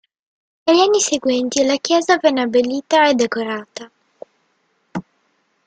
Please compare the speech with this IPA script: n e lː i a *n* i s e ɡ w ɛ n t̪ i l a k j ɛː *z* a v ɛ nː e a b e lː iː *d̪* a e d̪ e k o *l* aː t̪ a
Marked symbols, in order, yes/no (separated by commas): no, yes, no, no